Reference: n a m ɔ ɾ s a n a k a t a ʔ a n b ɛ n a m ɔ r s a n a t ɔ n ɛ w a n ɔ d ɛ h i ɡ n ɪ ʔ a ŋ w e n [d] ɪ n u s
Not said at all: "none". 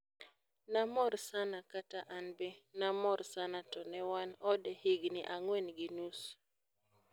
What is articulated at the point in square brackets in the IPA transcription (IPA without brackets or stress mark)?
ɡ